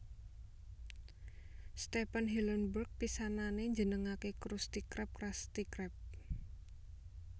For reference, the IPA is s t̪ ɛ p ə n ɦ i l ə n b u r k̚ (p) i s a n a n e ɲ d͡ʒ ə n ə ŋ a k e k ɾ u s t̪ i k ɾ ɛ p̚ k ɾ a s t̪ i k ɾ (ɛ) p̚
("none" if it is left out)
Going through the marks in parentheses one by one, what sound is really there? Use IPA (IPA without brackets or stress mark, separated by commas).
p, ɛ